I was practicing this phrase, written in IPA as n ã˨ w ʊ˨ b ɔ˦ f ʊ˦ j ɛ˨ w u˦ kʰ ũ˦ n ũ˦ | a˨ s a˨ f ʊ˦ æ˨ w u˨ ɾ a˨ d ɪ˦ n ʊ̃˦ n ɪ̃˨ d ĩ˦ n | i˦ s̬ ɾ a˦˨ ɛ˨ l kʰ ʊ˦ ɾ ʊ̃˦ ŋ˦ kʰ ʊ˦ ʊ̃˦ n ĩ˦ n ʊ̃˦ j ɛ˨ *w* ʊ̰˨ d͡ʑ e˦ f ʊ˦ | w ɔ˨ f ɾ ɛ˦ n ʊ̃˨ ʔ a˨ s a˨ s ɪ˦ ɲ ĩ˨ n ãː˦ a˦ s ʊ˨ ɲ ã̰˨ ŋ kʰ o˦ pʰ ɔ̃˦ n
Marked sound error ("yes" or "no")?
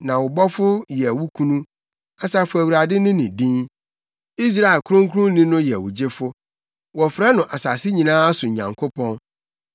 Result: no